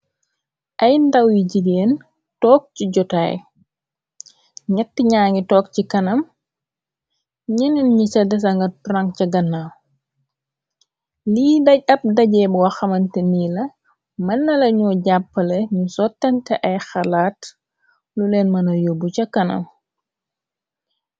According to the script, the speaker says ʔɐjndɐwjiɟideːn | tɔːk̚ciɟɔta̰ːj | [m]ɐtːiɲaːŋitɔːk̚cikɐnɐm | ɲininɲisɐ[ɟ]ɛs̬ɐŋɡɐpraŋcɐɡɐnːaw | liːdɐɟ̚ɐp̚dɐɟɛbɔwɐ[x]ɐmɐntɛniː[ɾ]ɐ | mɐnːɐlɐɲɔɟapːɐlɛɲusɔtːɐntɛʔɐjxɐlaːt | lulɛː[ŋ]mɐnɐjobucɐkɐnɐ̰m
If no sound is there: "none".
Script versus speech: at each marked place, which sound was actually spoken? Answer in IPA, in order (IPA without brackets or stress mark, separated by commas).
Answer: ɲ, d, x, l, n